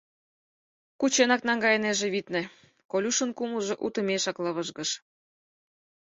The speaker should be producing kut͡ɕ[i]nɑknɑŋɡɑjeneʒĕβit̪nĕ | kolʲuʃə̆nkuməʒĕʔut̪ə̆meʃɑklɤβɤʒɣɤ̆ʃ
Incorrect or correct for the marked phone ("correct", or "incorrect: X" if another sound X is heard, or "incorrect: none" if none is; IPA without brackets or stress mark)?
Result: incorrect: e